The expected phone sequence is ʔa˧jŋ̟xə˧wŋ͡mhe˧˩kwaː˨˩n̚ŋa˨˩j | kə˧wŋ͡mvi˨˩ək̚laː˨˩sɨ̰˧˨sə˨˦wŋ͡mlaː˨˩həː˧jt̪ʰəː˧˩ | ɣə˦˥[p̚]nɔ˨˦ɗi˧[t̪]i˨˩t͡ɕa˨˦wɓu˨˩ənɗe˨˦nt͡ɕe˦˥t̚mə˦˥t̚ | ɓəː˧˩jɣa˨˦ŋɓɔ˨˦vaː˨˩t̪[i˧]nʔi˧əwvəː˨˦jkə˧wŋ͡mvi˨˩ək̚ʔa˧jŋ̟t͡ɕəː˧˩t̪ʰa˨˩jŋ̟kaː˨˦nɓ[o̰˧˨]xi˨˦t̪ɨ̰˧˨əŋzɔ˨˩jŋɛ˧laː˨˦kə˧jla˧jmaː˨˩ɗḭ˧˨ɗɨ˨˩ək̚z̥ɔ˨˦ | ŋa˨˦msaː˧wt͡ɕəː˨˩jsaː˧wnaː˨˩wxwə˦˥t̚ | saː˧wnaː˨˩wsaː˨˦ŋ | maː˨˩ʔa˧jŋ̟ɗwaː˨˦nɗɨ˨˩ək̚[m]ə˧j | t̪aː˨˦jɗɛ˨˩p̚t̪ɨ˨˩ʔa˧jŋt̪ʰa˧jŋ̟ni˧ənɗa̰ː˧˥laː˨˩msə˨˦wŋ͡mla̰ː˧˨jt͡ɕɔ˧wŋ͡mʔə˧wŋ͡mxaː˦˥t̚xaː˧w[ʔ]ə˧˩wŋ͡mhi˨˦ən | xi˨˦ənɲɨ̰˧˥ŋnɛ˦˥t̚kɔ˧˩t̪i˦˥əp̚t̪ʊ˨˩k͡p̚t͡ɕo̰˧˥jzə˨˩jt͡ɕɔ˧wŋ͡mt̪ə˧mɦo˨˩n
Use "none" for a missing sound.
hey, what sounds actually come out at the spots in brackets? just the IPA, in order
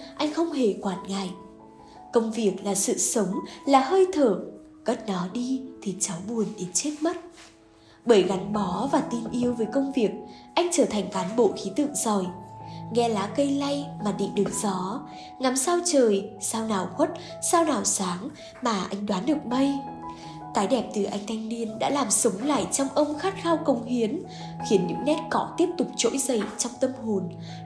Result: t̚, t̪ʰ, i˧, o̰˧˨, m, k

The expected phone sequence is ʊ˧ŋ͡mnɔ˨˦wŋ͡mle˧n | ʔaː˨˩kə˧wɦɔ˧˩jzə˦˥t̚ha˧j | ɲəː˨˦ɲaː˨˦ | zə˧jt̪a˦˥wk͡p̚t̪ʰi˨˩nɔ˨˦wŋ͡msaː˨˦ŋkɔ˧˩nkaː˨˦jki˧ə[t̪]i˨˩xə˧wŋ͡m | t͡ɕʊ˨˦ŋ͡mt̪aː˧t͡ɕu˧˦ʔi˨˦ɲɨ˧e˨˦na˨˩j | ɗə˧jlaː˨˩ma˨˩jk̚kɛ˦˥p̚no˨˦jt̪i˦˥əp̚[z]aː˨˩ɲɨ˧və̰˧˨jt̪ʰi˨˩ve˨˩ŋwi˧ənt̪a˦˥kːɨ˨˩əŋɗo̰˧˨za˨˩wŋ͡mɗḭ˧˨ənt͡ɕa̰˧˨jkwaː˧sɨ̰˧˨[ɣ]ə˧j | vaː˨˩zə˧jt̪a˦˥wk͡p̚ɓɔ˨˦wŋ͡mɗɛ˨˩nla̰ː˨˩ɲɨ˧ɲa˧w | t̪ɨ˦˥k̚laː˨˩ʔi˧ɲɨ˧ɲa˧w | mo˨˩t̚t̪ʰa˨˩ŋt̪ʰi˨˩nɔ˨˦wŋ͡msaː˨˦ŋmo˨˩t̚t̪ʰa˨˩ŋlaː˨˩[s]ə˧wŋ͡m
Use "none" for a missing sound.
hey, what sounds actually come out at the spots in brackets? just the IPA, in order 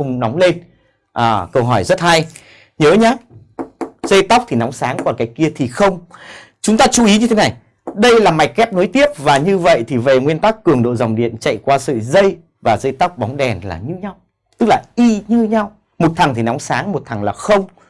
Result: t̪ʰ, v, z, x

